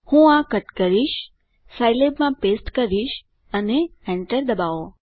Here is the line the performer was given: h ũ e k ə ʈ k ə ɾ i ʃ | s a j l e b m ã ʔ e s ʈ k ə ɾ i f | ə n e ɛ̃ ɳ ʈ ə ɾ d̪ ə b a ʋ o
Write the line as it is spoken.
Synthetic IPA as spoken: h ũ a k ə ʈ k ə ɾ i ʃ | s a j l e b m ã p e s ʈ k ə ɾ i ʃ | ə n e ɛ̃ ɳ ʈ ə ɾ d̪ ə b a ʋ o